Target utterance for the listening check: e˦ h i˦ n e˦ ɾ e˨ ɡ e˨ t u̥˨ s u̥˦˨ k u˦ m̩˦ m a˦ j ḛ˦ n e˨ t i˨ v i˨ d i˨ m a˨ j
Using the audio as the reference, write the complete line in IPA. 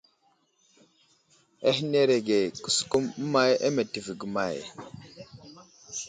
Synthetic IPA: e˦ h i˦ n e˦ ɾ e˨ ɡ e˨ k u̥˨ s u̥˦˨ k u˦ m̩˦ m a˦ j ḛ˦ m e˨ t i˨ v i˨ ɡ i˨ m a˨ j